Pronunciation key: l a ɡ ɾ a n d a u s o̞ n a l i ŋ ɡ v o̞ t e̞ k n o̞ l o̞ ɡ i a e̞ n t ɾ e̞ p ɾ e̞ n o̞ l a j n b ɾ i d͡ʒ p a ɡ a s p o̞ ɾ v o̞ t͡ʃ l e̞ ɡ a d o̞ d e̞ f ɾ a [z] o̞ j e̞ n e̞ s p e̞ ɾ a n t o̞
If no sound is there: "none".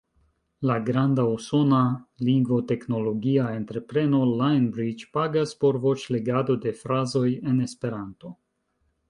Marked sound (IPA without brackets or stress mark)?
z